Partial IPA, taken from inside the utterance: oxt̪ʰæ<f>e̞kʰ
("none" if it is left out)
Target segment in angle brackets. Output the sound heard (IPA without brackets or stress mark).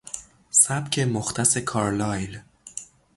s